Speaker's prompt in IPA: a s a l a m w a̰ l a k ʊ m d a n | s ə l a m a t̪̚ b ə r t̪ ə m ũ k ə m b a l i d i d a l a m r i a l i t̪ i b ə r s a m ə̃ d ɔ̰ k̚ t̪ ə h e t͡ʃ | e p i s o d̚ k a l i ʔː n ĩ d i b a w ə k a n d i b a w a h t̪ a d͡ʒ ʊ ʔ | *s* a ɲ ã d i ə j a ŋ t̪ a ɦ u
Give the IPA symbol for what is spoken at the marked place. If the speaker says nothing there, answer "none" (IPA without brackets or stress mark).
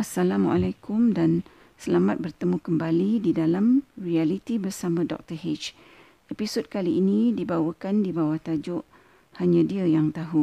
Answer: h